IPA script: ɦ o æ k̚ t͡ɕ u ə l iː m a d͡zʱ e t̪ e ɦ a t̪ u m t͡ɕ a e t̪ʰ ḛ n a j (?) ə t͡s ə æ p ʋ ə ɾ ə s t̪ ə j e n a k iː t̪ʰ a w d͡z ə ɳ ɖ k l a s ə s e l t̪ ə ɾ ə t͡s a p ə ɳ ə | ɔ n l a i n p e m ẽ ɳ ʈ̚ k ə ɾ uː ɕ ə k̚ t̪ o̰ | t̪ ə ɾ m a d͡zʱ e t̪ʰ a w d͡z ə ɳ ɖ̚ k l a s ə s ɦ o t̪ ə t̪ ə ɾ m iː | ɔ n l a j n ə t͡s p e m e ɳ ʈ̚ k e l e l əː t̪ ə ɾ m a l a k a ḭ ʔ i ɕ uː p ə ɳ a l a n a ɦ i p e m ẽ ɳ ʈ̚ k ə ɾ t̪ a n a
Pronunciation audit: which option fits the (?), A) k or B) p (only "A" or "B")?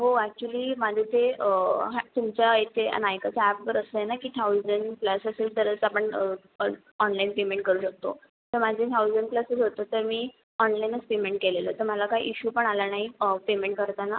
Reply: A